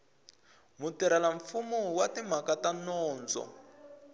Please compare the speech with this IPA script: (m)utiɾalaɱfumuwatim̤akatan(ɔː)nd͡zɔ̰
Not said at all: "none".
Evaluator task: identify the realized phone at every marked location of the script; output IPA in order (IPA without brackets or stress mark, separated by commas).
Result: m, ɔː